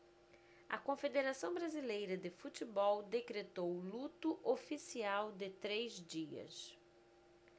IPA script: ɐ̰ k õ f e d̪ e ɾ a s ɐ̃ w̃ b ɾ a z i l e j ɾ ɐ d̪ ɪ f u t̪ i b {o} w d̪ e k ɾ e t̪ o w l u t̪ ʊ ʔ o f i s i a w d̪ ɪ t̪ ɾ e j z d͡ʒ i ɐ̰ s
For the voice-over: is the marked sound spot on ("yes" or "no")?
no